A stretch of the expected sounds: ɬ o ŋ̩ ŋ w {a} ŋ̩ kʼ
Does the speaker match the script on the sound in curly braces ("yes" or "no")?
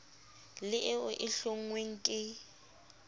no